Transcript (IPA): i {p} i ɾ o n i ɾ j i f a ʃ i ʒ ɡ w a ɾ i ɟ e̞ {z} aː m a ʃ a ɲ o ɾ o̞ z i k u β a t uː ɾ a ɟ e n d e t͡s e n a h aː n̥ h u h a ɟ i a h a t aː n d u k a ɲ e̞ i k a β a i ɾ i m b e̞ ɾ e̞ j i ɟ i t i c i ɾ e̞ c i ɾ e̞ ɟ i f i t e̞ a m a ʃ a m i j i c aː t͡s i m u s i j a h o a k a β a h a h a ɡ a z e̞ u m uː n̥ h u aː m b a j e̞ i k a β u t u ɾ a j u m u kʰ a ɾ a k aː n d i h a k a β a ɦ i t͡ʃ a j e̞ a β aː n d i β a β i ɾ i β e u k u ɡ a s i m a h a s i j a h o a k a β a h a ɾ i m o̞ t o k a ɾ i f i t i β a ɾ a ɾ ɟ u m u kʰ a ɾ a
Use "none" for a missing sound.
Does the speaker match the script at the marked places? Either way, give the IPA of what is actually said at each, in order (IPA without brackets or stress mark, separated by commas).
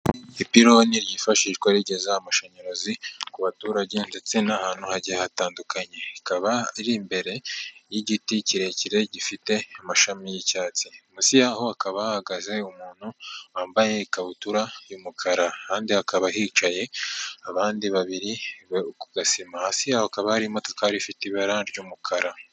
p, z